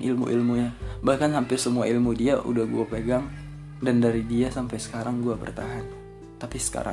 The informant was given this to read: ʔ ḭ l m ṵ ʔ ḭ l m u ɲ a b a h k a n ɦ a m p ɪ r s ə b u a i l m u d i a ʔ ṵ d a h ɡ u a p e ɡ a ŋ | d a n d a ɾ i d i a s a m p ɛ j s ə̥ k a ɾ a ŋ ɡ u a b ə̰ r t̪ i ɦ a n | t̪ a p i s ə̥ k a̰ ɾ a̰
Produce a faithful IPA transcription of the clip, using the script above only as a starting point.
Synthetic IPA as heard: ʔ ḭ l m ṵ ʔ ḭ l m u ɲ a b a h k a n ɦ a m p ɪ r s ə m u a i l m u d i a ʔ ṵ d a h ɡ u a p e ɡ a ŋ | d a n d a ɾ i d i a s a m p a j s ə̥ k a ɾ a ŋ ɡ u a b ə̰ r t̪ a ɦ a n | t̪ a p i s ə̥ k a̰ ɾ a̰